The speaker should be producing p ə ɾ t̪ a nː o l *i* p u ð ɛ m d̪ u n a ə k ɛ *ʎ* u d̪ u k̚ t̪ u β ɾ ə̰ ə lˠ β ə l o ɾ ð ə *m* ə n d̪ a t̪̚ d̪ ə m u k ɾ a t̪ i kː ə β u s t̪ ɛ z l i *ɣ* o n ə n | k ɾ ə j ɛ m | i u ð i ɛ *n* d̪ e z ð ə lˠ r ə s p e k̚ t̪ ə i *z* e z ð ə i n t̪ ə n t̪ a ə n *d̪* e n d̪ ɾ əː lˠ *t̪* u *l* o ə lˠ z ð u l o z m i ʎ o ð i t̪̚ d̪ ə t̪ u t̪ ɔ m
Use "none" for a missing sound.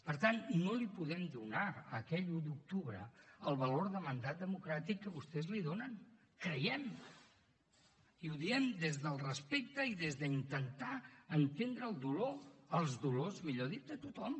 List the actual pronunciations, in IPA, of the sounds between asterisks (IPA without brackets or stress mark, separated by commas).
i, ʎ, m, ð, m, ð, t̪, d̪, l